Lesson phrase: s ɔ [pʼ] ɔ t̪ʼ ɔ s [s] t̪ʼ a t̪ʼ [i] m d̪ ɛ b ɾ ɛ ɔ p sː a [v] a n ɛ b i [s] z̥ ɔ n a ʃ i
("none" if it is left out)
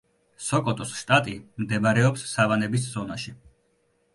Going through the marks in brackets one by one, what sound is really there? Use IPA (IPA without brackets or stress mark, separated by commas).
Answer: kʼ, ʃ, i, v, s